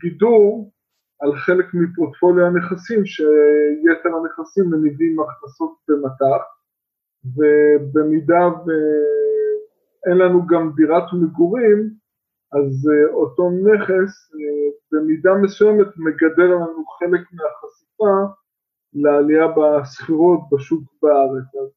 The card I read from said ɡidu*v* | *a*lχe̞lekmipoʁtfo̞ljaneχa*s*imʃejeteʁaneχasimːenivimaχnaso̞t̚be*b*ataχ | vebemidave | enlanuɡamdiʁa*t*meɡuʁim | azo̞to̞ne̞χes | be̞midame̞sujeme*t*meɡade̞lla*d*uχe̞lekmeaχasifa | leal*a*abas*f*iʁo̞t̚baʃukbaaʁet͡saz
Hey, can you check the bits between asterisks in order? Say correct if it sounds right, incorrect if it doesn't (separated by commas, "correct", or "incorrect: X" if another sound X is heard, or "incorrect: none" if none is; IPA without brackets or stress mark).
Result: incorrect: ʁ, correct, correct, incorrect: m, correct, correct, incorrect: n, incorrect: i, incorrect: χ